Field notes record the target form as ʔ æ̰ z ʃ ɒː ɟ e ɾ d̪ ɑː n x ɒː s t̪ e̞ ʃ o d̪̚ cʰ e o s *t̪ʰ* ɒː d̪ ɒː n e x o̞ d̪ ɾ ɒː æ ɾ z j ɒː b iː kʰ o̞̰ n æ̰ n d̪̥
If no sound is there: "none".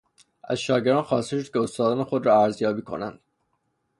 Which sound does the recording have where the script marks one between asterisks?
t̪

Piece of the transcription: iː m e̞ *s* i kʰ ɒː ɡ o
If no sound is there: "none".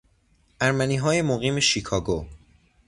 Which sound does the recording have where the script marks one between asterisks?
ʃ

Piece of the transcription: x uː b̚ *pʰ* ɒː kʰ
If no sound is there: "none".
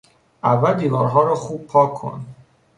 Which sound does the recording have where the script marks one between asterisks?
pʰ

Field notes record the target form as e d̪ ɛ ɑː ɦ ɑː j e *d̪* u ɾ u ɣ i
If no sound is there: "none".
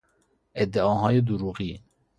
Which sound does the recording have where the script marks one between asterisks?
d̪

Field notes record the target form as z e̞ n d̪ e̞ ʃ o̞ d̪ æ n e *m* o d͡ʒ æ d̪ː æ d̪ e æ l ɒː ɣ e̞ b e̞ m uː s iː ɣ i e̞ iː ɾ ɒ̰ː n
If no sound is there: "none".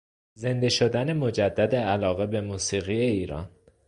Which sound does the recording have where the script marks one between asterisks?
m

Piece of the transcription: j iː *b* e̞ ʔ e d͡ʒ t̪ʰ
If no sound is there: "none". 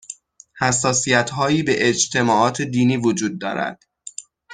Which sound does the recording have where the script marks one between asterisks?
b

